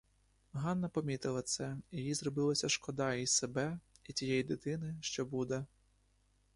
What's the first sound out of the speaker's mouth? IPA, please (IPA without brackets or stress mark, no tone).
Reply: ɦ